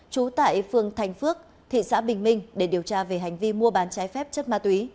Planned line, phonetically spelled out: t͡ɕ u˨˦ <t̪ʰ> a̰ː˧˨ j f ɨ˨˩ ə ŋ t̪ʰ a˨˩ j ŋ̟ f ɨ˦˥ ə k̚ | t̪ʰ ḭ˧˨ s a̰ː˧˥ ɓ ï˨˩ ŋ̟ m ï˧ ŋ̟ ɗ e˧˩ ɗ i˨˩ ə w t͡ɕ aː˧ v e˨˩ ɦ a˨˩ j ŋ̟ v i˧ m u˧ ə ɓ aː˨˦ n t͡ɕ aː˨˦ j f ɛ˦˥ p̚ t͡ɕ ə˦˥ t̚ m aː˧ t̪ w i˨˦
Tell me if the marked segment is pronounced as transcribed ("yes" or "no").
no